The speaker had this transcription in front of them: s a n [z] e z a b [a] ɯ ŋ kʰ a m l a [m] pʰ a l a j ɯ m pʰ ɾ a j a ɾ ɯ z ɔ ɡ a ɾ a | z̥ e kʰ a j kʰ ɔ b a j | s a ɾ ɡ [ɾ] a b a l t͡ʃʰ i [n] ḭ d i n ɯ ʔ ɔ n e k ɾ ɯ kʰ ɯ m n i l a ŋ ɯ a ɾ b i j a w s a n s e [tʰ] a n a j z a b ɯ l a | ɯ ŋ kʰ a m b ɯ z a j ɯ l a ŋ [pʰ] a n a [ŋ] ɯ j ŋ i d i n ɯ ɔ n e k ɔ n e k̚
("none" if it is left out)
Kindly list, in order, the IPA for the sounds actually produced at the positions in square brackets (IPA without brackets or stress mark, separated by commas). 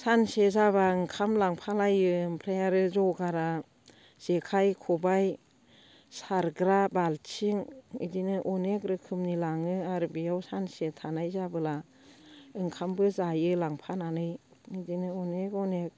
s, a, ŋ, ɾ, ŋ, tʰ, pʰ, n